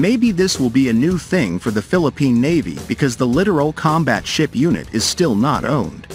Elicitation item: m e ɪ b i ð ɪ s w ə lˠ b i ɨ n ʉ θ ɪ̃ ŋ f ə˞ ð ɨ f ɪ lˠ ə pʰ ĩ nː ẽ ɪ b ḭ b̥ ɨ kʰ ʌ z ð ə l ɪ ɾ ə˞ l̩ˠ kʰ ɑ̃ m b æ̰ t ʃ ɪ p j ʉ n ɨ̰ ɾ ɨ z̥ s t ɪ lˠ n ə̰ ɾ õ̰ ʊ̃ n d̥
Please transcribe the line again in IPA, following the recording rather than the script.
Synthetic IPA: m e ɪ b i ð ɪ s w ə lˠ b i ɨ n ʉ θ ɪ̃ ŋ f ə˞ ð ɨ f ɪ lˠ ə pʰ ĩ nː e ɪ v ḭ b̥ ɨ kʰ ʌ z ð ə l ɪ ɾ ə˞ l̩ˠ kʰ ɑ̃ m b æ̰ t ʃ ɪ p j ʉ n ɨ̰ ɾ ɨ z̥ s t ɪ lˠ n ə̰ ɾ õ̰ ʊ̃ n d̥